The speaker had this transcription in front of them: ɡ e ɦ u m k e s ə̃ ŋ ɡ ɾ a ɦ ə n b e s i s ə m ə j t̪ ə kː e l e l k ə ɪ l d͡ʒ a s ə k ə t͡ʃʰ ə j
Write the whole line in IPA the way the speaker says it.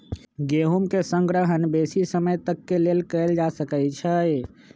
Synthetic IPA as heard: ɡ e ɦ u m k e s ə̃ ŋ ɡ ɾ ə ɦ ə n b e s i s ə m ə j t̪ ə kː e l e l k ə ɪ l d͡ʒ a s ə k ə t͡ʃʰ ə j